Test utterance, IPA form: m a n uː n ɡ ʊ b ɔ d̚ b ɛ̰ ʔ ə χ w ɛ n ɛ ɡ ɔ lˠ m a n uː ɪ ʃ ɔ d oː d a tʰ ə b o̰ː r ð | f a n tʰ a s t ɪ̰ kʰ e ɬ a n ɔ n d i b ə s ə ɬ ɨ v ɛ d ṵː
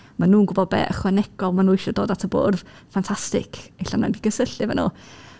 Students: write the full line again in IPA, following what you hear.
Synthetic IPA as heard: m a n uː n ɡ ʊ b ɔ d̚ b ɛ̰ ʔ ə χ w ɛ n ɛ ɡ ɔ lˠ m a n uː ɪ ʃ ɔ d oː d a tʰ ə b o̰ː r ð | f a n tʰ a s t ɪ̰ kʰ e ɬ a n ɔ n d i ɡ ə s ə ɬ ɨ v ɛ n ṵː

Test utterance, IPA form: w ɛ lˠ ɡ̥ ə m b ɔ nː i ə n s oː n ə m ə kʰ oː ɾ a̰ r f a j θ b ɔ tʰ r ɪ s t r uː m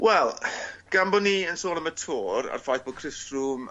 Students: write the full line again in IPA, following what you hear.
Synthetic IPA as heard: w ɛ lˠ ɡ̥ a m b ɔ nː i ə n s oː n ə m ə tʰ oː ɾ a̰ r f a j θ b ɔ kʰ r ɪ s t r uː m

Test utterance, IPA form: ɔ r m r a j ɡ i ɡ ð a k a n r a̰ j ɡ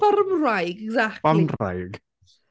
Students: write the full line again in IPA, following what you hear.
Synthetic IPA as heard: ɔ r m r a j ɡ ɛ ɡ z a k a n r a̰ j ɡ

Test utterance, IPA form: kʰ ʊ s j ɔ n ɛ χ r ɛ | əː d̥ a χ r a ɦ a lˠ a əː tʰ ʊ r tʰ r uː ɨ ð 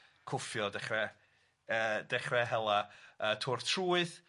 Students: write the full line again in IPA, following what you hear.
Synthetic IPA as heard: kʰ ʊ f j ɔ d ɛ χ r ɛ | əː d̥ ɛ χ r ɛ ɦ ɛ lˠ a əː tʰ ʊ r tʰ r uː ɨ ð

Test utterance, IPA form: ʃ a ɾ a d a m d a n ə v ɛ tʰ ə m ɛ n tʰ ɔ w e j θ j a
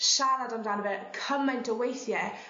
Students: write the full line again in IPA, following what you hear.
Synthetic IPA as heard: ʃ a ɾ a d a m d a n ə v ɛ kʰ ə m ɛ n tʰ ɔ w e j θ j ɛ

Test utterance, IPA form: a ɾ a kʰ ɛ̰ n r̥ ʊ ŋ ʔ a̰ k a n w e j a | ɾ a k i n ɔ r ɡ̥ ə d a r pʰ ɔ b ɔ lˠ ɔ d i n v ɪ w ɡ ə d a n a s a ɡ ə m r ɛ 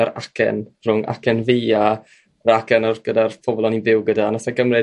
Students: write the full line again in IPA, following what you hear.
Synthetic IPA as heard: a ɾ a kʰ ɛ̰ n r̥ ʊ ŋ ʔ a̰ k ɛ n v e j a | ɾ a k ɛ n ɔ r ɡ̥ ə d a r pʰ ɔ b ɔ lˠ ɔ n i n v ɪ w ɡ ə d a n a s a ɡ ə m r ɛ

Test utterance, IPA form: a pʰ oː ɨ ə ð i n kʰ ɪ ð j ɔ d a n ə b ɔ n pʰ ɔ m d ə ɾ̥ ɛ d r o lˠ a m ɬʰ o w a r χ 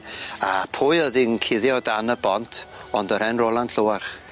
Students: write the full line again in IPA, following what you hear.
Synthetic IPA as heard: a pʰ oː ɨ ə ð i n kʰ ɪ ð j ɔ d a n ə b ɔ n tʰ ɔ n d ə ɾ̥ ɛ n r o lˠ a n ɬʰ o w a r χ

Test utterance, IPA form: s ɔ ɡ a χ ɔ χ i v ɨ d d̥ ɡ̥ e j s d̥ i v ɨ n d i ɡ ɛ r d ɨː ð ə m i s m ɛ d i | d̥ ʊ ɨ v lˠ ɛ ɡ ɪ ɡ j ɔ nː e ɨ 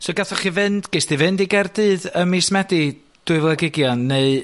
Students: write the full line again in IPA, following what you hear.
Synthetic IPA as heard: s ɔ ɡ a θ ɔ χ i v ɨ n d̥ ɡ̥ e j s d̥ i v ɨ n d i ɡ ɛ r d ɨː ð ə m i s m ɛ d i | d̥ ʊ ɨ v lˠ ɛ ɡ ɪ ɡ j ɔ nː e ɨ

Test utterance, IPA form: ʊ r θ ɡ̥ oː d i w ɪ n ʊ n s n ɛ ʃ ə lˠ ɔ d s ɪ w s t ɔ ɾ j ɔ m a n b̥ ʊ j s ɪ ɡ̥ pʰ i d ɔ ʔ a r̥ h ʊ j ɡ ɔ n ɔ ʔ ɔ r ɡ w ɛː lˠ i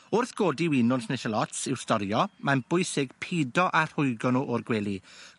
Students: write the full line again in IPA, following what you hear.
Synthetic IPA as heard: ʊ r θ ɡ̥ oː d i w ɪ n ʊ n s n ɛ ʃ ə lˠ ɔ t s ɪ w s t ɔ ɾ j ɔ m a n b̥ ʊ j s ɪ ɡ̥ pʰ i d ɔ ʔ a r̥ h ʊ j ɡ ɔ n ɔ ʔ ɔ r ɡ w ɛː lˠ i

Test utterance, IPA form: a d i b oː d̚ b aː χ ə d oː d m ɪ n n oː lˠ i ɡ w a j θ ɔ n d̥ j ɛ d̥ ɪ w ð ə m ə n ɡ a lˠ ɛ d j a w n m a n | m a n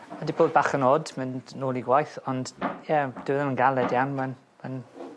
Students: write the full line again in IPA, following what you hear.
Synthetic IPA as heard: a d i b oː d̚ b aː χ ə n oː d m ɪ n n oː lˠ i ɡ w a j θ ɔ n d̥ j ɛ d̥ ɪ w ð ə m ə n ɡ a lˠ ɛ d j a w n m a n | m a n

